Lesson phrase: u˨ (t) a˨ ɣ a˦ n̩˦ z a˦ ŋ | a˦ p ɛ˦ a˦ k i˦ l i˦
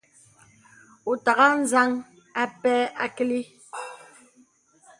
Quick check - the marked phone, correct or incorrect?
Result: correct